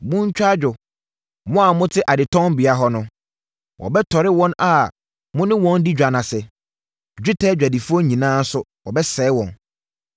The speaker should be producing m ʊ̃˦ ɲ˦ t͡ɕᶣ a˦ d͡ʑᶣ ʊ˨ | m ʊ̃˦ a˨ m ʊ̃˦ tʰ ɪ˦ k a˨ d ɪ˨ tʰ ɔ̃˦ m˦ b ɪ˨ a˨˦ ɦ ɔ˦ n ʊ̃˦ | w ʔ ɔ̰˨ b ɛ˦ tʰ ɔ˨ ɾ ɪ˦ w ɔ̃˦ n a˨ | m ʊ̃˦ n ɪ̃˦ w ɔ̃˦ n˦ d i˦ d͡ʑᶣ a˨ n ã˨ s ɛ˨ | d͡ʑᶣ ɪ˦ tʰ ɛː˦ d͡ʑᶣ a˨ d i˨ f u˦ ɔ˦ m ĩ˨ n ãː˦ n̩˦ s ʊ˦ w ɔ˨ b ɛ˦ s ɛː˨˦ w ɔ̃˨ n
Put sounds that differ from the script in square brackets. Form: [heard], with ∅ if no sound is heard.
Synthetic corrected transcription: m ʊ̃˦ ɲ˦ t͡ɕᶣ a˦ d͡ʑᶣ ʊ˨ | m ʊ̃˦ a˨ m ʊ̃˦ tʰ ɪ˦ [ʔ] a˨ d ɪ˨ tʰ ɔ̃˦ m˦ b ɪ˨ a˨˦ ɦ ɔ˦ n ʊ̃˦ | w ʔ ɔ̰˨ b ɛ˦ tʰ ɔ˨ ɾ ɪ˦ w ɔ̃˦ n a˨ | m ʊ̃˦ n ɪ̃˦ w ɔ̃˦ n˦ d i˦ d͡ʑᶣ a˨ n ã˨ s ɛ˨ | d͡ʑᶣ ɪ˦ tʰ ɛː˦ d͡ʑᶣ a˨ d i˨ f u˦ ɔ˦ [ɲ] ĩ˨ n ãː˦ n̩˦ s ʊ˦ w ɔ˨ b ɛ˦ s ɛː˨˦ w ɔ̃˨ n

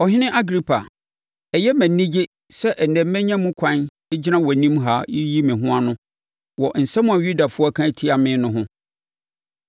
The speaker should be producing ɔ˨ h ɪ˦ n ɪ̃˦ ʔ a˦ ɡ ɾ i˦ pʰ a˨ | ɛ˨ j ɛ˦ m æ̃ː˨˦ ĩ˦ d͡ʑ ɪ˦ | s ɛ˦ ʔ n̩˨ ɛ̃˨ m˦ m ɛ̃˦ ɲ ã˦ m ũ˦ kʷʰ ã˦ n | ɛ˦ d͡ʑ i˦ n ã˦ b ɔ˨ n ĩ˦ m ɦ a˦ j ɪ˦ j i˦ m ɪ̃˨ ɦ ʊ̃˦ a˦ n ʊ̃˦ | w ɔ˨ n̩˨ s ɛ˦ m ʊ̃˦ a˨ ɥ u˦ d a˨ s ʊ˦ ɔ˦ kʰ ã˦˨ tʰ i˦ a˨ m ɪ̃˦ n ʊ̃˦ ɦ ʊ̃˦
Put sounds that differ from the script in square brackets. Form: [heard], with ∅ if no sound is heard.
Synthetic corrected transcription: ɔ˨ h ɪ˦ n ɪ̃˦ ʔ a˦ ɡ ɾ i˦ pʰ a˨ | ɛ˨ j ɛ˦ m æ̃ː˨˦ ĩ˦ d͡ʑ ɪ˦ | s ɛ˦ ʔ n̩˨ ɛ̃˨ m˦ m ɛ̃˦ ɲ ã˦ m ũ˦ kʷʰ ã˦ n | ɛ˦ d͡ʑ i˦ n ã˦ [w] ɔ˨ n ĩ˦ m ɦ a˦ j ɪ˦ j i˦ m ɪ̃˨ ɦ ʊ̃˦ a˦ n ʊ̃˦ | w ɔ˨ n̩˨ s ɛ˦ m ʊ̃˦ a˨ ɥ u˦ d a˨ [f] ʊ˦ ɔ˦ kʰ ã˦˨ tʰ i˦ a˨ m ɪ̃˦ n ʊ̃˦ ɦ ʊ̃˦

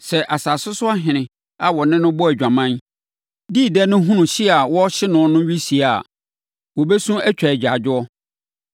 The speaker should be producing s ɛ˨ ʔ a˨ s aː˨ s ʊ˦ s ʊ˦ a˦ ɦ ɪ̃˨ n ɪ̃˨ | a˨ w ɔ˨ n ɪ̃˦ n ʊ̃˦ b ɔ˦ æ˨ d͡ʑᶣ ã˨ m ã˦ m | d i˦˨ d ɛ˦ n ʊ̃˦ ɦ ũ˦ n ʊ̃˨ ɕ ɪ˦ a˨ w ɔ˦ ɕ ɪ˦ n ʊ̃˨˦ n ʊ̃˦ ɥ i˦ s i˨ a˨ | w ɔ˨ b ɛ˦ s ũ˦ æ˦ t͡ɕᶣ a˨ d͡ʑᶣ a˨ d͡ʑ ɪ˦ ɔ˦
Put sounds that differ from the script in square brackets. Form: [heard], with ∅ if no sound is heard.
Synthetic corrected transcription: s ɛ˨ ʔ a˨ s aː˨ s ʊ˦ s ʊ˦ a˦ ɦ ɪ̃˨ n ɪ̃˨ | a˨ w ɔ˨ n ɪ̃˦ n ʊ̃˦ b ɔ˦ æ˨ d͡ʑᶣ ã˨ m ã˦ [n] | d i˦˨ d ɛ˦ n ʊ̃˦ ɦ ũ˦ n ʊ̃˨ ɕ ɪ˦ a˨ w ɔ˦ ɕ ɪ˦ n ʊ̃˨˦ n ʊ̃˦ ɥ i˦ s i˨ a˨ | w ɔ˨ b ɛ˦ s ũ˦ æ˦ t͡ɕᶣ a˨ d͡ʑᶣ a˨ d͡ʑ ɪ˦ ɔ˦

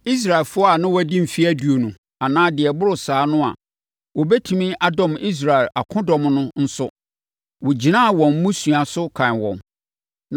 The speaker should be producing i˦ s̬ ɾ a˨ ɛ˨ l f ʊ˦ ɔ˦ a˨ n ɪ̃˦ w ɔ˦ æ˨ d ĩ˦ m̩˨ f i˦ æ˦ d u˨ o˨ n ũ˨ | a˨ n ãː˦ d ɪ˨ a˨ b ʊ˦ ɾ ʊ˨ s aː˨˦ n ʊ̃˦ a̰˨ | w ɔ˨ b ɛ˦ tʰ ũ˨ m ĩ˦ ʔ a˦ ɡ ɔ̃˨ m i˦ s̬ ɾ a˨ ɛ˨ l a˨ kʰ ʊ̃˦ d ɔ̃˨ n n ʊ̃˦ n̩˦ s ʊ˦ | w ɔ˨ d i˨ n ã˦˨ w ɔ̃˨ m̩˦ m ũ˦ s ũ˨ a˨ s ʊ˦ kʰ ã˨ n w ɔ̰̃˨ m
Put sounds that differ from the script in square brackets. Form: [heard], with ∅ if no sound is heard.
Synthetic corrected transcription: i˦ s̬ ɾ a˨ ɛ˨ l f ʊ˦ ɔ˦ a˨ n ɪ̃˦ w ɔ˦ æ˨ d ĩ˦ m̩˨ f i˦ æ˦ d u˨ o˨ n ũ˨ | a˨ n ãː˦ d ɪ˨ [ɛ˨] b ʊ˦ ɾ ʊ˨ s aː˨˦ n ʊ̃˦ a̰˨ | w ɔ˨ b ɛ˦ tʰ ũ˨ m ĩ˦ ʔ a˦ [d] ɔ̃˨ m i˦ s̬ ɾ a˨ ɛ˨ l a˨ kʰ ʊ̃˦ d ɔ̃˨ [m] n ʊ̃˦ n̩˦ s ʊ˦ | w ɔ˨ [d͡ʑ] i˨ n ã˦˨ w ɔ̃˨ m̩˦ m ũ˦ s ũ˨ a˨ s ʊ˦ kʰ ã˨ n w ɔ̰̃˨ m

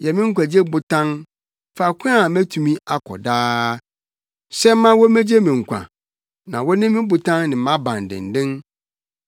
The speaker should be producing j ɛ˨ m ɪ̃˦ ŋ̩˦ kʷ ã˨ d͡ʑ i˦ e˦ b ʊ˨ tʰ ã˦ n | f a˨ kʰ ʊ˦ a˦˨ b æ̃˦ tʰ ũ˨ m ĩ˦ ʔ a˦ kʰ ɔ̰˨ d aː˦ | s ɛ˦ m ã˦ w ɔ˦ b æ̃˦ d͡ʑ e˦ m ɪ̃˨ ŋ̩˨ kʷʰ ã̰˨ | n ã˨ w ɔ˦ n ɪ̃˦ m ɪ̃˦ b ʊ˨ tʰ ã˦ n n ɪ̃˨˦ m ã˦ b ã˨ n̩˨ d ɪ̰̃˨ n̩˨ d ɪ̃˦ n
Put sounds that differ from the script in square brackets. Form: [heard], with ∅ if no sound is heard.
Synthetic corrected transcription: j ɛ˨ m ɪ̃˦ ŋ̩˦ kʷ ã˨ d͡ʑ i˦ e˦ b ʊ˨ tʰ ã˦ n | f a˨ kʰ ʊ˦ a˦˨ [m] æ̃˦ tʰ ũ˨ m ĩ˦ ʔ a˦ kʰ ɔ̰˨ d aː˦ | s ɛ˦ m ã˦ w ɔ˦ [m] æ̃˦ d͡ʑ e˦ m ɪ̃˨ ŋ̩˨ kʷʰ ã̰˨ | n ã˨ w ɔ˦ n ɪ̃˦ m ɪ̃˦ b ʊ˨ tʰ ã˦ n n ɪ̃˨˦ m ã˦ b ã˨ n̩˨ d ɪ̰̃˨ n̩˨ d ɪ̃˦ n

